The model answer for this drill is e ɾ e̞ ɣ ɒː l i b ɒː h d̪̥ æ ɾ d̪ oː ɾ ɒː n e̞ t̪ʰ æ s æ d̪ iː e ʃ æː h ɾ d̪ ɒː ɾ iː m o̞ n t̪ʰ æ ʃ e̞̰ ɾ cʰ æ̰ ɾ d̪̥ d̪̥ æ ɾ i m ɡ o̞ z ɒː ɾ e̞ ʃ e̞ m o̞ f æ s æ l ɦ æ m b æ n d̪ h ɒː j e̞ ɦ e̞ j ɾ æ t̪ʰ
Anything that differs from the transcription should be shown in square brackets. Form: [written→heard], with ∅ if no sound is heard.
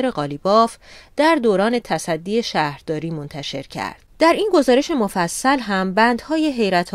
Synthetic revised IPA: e ɾ e̞ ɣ ɒː l i b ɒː [h→f] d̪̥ æ ɾ d̪ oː ɾ ɒː n e̞ t̪ʰ æ s æ [d̪→d̪ː] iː e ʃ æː h ɾ d̪ ɒː ɾ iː m o̞ n t̪ʰ æ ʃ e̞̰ ɾ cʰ æ̰ ɾ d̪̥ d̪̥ æ ɾ i [m→n] ɡ o̞ z ɒː ɾ e̞ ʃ e̞ m o̞ f æ [s→sː] æ l ɦ æ m b æ n d̪ h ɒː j e̞ ɦ e̞ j ɾ æ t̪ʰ